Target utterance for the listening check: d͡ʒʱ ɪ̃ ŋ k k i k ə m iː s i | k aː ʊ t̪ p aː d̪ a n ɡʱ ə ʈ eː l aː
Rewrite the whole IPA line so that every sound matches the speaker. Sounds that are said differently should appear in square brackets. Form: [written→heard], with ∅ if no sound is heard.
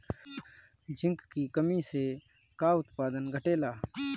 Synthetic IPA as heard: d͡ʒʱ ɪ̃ ŋ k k i k ə m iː s [i→e] | k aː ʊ t̪ p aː d̪ [a→ə] n ɡʱ ə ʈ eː l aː